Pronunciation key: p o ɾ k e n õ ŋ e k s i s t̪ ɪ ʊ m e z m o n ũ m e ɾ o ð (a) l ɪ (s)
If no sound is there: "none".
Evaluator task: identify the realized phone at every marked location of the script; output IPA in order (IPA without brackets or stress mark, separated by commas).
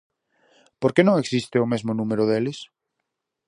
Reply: e, s